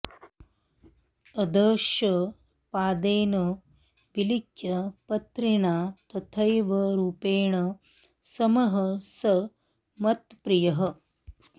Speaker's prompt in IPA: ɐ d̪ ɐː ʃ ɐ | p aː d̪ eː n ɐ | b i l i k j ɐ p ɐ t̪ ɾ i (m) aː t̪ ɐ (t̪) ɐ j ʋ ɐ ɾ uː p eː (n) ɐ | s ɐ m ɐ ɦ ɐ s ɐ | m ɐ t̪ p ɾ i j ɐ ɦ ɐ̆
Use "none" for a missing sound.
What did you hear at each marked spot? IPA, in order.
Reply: ɳ, t̪ʰ, ɳ

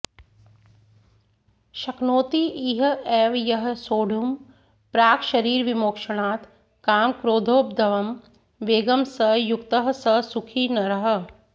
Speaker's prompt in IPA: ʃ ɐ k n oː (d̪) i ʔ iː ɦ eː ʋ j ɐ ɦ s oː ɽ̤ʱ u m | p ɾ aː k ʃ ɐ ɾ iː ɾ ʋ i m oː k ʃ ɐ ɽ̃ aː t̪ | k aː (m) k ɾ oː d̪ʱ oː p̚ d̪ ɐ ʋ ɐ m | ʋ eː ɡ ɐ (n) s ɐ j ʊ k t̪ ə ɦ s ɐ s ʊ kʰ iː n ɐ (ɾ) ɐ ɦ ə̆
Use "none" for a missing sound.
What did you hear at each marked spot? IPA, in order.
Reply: t̪, m, m, ɾ

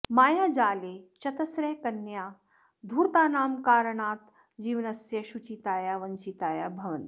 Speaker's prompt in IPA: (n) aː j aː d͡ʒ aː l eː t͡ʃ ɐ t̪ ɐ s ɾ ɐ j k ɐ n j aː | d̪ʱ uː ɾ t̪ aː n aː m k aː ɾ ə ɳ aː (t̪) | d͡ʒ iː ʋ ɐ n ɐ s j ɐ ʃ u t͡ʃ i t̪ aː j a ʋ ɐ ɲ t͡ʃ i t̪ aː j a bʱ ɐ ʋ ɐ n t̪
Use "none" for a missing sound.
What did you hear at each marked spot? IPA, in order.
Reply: m, t̪

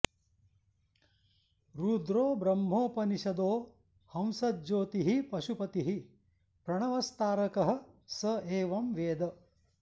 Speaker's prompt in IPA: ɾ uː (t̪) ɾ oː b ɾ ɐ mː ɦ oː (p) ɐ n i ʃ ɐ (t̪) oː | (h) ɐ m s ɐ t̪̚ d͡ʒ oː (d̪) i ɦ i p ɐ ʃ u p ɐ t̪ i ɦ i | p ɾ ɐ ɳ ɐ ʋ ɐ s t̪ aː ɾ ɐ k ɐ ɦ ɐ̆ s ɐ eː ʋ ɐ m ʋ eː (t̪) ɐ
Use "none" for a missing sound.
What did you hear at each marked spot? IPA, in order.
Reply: d̪, p, d̪, h, t̪, d̪

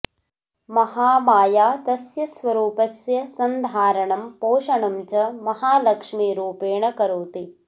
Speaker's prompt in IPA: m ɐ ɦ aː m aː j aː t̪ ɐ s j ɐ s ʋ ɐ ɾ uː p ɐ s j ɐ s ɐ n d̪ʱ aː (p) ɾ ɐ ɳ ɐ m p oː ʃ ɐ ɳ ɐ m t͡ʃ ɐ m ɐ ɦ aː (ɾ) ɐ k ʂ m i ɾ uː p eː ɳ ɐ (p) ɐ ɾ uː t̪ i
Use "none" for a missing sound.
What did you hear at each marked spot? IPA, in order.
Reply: none, l, k

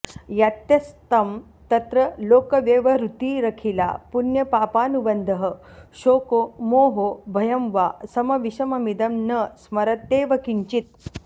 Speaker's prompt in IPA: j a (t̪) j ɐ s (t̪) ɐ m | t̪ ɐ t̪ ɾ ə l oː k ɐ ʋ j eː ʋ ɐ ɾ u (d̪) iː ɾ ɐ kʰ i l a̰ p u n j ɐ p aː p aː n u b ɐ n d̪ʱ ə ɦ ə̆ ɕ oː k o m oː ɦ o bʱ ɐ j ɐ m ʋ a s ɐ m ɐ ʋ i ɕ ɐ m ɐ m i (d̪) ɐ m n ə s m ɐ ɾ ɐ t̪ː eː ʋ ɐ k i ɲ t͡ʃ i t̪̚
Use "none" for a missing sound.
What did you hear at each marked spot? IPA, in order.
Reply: t̪, t̪, t̪, d̪

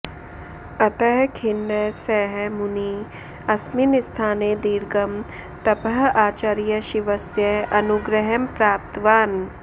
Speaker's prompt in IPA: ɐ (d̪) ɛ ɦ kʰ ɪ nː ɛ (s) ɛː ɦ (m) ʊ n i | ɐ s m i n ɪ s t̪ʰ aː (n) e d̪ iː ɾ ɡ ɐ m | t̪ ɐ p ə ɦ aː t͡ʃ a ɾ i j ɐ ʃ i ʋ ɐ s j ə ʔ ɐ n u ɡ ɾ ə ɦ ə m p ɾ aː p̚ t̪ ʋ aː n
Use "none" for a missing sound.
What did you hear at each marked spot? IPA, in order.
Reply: t̪, s, m, n

